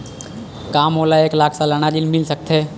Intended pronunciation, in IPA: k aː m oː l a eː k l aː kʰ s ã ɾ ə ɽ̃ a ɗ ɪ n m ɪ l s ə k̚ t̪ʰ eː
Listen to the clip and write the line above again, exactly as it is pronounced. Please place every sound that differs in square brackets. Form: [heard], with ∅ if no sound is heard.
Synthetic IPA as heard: k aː m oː l a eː k l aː kʰ s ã [l] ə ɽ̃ a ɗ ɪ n m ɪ l s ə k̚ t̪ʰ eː